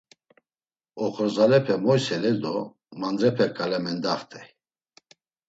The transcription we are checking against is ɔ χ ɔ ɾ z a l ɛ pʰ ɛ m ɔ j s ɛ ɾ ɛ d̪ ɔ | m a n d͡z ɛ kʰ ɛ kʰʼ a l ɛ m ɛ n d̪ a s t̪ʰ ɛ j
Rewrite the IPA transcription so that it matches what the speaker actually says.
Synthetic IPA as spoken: ɔ χ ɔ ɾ z a l ɛ pʰ ɛ m ɔ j s ɛ l ɛ d̪ ɔ | m a n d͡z ɛ pʰ ɛ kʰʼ a l ɛ m ɛ n d̪ a χ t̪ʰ ɛ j